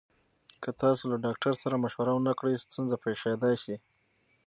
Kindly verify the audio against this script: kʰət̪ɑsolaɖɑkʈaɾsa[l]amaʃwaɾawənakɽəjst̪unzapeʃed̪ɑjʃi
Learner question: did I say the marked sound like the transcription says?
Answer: no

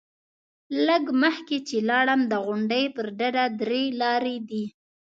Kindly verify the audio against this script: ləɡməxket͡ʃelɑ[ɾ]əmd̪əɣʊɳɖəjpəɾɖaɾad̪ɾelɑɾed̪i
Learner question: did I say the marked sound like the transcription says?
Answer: no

